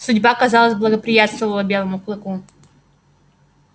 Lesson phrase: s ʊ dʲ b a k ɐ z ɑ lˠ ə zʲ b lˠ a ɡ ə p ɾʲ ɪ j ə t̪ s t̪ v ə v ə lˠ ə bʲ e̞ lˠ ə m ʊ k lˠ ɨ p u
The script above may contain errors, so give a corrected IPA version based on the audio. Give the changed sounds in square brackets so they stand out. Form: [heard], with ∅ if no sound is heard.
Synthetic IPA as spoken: s ʊ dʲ b a k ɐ z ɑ lˠ ə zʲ b lˠ [ə] ɡ ə p ɾʲ ɪ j [a] t̪ s t̪ v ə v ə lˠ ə bʲ e̞ lˠ ə m ʊ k lˠ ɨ [k] u